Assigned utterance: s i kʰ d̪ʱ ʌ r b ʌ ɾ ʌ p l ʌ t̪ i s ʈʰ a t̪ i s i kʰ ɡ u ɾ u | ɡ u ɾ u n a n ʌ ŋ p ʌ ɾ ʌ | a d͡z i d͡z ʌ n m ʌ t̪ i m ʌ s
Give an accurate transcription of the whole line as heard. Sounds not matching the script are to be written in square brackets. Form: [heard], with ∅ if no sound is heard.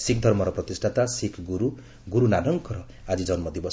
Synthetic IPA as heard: s i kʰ d̪ʱ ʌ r [m] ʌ ɾ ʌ p [r] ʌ t̪ i s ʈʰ a t̪ [a] s i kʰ ɡ u ɾ u | ɡ u ɾ u n a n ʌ ŋ [k] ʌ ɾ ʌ | a d͡z i d͡z ʌ n m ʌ [d̪] i [b] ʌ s

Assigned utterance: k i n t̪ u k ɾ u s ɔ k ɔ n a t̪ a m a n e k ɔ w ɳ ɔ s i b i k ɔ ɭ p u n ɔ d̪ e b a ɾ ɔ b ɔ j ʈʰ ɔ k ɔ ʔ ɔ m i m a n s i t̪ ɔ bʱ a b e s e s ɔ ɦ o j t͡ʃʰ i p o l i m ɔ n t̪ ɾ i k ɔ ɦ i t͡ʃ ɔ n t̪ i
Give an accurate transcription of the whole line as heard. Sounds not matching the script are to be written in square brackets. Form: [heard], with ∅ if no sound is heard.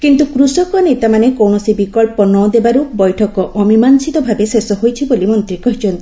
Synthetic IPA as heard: k i n t̪ u k ɾ u s ɔ k ɔ n [e] t̪ a m a n e k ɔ w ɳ ɔ s i b i k ɔ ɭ p [ɔ] n ɔ d̪ e b a ɾ [u] b ɔ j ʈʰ ɔ k ɔ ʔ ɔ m i m a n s i t̪ ɔ bʱ a b e s e s ɔ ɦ o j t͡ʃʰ i [b] o l i m ɔ n t̪ ɾ i k ɔ ɦ i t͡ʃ ɔ n t̪ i

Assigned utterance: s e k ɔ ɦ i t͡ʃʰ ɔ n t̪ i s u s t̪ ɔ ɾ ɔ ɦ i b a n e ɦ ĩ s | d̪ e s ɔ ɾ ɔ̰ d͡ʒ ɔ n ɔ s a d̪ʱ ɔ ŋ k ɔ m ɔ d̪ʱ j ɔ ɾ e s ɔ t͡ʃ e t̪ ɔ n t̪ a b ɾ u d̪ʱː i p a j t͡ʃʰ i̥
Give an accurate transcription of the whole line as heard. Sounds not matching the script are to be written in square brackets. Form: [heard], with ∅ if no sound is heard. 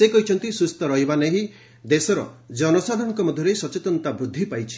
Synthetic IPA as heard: s e k ɔ ɦ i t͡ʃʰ ɔ n t̪ i s u s t̪ ɔ ɾ ɔ ɦ i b a n e ɦ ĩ [∅] | d̪ e s ɔ ɾ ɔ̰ d͡ʒ ɔ n ɔ s a d̪ʱ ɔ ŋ k ɔ m ɔ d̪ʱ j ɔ ɾ e s ɔ t͡ʃ e t̪ ɔ n t̪ a b ɾ u d̪ʱː i p a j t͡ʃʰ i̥

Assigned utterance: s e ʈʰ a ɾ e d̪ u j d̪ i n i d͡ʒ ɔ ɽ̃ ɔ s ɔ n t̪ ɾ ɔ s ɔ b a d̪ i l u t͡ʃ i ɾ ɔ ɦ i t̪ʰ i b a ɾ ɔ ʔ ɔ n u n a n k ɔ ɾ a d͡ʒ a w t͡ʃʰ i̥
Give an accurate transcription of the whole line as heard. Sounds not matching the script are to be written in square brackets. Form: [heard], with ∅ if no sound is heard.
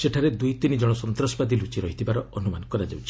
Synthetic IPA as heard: s e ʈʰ a ɾ e d̪ u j [t̪] i n i d͡ʒ ɔ ɽ̃ ɔ s ɔ n t̪ ɾ ɔ s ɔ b a d̪ i l u t͡ʃ i ɾ ɔ ɦ i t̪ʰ i b a ɾ ɔ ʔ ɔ n u [m] a n k ɔ ɾ a d͡ʒ a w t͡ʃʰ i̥

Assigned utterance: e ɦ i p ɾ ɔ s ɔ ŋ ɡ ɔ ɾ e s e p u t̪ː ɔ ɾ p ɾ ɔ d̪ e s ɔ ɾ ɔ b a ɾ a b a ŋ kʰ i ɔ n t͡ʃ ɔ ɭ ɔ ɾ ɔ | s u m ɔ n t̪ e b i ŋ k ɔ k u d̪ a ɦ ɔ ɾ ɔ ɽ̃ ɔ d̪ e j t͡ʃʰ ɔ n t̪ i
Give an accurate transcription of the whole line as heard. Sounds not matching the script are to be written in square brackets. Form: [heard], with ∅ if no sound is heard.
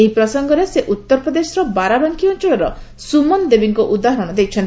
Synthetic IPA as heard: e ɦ i p ɾ ɔ s ɔ ŋ ɡ ɔ ɾ e s e [ʔ] u t̪ː ɔ ɾ p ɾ ɔ d̪ e s ɔ ɾ ɔ b a ɾ a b a ŋ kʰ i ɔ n t͡ʃ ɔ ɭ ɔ ɾ ɔ | s u m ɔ n [d̪] e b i ŋ k ɔ [ʔ] u d̪ a ɦ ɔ ɾ ɔ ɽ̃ ɔ d̪ e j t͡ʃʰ ɔ n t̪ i

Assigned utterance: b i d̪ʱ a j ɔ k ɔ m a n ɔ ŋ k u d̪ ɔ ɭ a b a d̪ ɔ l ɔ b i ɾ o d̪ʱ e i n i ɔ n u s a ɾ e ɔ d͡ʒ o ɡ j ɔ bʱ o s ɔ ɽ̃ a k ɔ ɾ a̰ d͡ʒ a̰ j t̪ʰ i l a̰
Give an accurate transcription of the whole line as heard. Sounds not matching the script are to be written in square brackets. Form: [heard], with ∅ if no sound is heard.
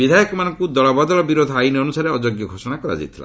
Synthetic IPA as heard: b i d̪ʱ a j ɔ k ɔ m a n ɔ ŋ k u d̪ ɔ ɭ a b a d̪ ɔ l ɔ b i ɾ o d̪ʱ [a] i n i ɔ n u s a ɾ e ɔ d͡ʒ o ɡ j ɔ [ɡʱ] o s ɔ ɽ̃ a k ɔ ɾ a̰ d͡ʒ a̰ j t̪ʰ i l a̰

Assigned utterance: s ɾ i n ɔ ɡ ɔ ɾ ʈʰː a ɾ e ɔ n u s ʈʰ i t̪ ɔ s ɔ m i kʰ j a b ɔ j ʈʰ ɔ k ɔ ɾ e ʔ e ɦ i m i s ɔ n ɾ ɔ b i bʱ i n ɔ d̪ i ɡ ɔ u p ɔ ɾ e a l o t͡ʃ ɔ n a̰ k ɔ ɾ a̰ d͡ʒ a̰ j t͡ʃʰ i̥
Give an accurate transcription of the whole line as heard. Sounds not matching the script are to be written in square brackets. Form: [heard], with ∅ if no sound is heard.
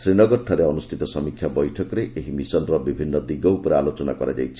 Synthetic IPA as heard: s ɾ i n ɔ ɡ ɔ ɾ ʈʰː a ɾ e ɔ n u s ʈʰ i t̪ ɔ s ɔ m i kʰ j a b ɔ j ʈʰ ɔ k ɔ ɾ e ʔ e ɦ i m i s ɔ n ɾ ɔ b i bʱ i [nː] ɔ d̪ i ɡ ɔ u p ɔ ɾ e a l o t͡ʃ ɔ n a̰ k ɔ ɾ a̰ d͡ʒ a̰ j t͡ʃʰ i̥

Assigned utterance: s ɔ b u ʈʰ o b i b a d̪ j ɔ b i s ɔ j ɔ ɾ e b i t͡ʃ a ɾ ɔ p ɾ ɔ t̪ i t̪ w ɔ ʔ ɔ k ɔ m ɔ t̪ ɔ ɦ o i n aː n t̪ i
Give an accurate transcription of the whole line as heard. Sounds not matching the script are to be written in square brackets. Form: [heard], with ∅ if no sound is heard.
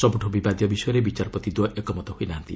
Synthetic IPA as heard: s ɔ b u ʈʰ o b i b a d̪ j ɔ b i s ɔ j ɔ ɾ e b i t͡ʃ a ɾ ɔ p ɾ ɔ t̪ i [d̪] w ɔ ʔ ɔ k ɔ m ɔ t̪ ɔ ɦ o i n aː n t̪ i

